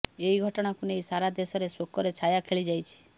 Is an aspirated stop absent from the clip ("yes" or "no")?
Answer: no